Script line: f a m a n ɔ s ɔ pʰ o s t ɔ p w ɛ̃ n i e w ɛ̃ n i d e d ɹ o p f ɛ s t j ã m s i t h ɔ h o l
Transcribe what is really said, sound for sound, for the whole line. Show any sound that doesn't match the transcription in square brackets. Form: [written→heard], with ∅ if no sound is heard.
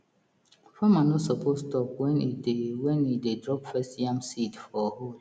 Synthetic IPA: f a m a n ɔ s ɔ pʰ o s t ɔ p w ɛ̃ n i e w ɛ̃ n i d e d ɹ [o→ɔ] p f ɛ s t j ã m s i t [h→f] ɔ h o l